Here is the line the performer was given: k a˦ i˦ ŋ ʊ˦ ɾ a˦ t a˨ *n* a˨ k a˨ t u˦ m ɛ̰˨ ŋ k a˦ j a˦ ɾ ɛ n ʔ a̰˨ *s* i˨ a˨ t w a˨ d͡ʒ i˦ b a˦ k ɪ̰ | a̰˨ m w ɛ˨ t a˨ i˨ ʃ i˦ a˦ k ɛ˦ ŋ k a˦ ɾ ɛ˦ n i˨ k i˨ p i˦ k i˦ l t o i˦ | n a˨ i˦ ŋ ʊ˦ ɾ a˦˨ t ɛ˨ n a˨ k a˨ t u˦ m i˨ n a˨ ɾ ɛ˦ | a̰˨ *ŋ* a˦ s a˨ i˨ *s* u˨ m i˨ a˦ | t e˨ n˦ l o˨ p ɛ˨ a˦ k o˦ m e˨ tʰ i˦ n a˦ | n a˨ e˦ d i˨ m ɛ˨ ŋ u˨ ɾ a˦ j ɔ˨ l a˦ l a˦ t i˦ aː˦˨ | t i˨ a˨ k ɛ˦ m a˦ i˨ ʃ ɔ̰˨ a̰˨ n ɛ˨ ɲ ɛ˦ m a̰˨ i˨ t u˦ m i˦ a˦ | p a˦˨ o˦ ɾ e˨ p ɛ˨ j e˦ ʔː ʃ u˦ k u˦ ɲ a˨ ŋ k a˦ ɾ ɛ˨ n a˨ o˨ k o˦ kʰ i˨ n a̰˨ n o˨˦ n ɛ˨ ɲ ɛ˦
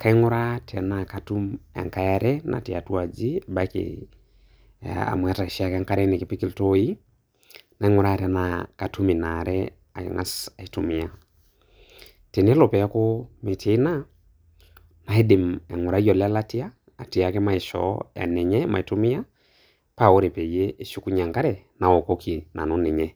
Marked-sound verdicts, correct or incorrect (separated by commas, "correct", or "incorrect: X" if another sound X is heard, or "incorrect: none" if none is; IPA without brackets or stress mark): correct, incorrect: t, correct, incorrect: t